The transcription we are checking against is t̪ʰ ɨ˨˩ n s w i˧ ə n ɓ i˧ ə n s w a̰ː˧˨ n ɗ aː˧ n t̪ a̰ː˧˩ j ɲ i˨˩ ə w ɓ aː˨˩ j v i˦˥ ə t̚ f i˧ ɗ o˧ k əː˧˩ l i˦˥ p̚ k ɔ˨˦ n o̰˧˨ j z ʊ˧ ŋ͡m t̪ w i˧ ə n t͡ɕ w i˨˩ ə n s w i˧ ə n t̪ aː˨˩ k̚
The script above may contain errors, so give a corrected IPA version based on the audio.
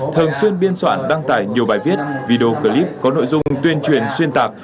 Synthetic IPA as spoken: t̪ʰ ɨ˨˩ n s w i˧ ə n ɓ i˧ ə n s w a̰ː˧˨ n ɗ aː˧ ŋ t̪ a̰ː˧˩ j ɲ i˨˩ ə w ɓ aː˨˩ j v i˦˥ ə t̚ v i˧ ɗ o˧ k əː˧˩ l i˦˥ p̚ k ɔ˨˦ n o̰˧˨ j z ʊ˧ ŋ͡m t̪ w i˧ ə n t͡ɕ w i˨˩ ə n s w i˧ ə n t̪ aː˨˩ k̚